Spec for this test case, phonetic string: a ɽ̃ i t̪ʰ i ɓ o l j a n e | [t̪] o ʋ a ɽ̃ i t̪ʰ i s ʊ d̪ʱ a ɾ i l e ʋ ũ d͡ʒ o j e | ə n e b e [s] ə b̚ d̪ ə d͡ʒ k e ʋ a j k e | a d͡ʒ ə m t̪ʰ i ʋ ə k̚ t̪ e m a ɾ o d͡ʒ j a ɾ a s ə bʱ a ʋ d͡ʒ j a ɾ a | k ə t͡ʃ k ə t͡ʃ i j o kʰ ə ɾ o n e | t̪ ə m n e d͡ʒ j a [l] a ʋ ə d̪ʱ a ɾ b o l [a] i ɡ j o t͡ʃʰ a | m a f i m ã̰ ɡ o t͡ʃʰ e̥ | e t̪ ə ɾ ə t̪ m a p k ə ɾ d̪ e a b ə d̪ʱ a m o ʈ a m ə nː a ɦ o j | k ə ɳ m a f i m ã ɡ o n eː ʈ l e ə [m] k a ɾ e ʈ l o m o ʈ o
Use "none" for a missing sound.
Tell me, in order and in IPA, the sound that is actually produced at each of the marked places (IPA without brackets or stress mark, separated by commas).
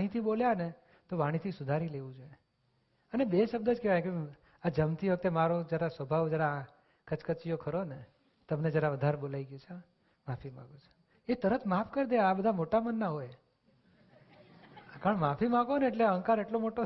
t̪, ʃ, ɾ, a, ŋ